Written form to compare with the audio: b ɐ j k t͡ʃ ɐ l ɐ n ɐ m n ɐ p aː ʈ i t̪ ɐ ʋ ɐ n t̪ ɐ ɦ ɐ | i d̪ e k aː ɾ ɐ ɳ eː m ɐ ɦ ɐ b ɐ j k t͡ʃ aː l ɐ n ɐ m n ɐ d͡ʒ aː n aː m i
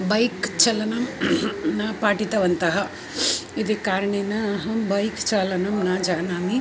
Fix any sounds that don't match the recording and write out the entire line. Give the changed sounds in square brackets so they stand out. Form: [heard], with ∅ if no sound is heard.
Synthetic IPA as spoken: b ɐ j k t͡ʃ ɐ l ɐ n ɐ m n ɐ p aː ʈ i t̪ ɐ ʋ ɐ n t̪ ɐ ɦ ɐ | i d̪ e k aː ɾ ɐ ɳ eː [n] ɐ ɦ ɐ b ɐ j k t͡ʃ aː l ɐ n ɐ m n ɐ d͡ʒ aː n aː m i